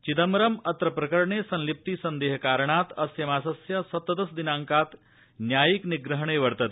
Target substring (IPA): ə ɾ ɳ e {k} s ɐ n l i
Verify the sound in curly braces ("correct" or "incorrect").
incorrect